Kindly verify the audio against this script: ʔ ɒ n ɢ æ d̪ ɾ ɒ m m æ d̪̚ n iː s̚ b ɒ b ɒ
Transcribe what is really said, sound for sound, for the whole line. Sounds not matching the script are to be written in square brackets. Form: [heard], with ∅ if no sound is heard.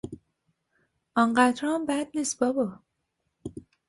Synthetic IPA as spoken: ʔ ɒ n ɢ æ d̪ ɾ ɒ m [b] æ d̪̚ n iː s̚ b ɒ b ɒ